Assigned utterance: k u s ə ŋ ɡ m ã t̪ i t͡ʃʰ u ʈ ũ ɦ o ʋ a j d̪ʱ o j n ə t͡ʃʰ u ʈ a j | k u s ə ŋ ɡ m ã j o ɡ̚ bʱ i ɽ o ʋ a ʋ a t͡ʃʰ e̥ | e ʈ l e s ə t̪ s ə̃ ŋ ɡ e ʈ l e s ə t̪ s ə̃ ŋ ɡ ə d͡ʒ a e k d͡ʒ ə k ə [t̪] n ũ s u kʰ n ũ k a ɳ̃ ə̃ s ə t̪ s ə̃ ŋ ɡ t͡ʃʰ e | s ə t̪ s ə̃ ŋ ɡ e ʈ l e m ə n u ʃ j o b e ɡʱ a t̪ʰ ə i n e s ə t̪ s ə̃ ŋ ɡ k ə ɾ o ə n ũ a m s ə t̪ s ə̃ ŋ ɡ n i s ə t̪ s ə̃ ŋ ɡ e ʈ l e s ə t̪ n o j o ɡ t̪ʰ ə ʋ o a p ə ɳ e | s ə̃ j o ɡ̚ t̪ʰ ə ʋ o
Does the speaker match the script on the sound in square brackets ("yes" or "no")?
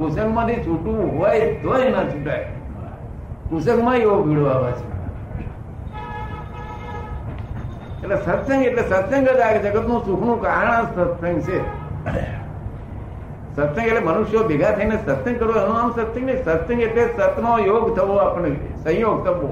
yes